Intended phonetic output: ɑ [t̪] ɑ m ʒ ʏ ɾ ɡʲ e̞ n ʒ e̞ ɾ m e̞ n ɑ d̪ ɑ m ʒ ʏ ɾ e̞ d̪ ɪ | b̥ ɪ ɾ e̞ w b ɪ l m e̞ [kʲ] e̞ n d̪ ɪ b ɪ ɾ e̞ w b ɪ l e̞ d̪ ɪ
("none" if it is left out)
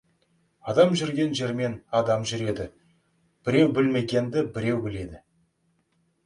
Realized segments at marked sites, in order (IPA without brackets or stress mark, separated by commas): d̪, ɡʲ